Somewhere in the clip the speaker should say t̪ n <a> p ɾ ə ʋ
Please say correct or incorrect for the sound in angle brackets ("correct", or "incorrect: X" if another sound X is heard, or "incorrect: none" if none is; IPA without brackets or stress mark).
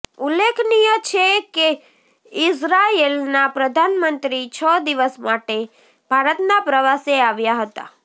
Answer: correct